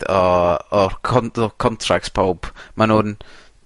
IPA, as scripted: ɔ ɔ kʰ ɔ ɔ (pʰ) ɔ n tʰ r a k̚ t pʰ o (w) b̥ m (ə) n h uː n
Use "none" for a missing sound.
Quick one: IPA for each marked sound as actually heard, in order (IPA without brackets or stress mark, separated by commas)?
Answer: kʰ, w, a